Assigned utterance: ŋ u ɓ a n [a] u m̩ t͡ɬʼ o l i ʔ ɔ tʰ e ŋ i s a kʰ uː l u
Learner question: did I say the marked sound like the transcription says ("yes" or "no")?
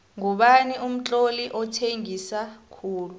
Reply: no